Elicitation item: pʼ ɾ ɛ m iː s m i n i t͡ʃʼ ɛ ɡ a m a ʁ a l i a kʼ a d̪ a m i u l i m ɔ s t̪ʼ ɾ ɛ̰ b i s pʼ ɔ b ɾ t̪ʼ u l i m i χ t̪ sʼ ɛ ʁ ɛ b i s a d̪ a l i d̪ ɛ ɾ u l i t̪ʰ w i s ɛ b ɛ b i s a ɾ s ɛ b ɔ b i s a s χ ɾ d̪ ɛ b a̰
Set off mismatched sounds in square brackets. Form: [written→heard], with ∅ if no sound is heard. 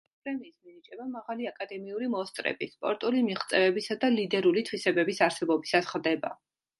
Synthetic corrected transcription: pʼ ɾ ɛ m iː s m i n i t͡ʃʼ ɛ [ɡ→b] a m a ʁ a l i a kʼ a d̪ [a→ɛ] m i u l i m ɔ s t̪ʼ ɾ ɛ̰ b i s pʼ ɔ [b→∅] ɾ t̪ʼ u l i m i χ t̪ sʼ ɛ [ʁ→v] ɛ b i s a d̪ a l i d̪ ɛ ɾ u l i t̪ʰ w i s ɛ b ɛ b i s a ɾ s ɛ b ɔ b i s a s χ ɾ d̪ ɛ b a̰